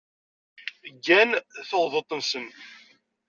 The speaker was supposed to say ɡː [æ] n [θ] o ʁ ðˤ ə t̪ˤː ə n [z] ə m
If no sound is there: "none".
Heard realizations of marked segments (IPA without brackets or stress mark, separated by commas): æ, θ, s